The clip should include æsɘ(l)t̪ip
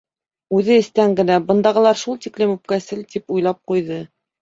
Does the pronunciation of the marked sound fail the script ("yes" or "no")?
no